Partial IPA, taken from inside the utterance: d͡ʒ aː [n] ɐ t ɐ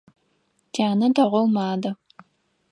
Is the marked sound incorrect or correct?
correct